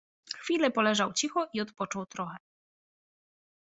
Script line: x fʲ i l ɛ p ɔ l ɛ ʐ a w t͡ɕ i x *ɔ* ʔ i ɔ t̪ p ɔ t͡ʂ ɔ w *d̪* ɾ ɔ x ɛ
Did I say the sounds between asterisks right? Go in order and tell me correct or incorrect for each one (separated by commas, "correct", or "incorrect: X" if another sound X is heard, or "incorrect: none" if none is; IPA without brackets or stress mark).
correct, incorrect: t̪